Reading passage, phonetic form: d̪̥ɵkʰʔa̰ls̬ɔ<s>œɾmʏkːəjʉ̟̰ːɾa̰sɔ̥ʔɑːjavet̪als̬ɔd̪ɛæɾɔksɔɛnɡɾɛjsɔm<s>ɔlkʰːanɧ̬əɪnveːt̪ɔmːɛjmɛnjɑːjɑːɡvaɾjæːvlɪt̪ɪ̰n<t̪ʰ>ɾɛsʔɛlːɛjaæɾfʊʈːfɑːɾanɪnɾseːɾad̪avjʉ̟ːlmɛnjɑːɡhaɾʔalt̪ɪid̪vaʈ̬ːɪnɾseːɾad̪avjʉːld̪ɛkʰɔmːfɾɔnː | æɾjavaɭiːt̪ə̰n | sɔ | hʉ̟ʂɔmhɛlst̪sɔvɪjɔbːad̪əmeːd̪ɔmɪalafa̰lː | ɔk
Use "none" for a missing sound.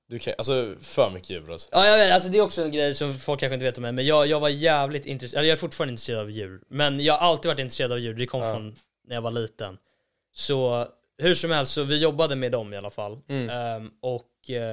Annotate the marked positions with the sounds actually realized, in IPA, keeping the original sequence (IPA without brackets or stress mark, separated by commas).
f, f, t̪